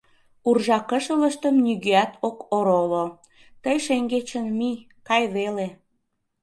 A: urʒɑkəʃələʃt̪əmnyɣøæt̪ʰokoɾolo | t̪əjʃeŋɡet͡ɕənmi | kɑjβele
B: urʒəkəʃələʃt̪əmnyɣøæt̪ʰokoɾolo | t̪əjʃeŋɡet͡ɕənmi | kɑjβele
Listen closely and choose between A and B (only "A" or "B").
A